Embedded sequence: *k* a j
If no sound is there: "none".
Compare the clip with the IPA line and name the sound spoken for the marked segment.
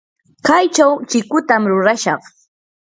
k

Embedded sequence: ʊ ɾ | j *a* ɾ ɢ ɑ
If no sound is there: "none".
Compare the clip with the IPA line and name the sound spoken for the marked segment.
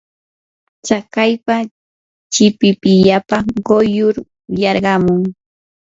ɑ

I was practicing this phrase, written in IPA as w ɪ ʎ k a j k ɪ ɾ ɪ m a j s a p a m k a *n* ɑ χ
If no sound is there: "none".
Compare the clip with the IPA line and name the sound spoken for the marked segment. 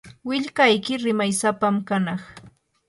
n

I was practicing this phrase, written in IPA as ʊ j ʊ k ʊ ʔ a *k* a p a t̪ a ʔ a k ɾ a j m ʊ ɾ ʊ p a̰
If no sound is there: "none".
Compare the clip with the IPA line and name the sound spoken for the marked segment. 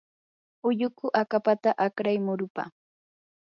k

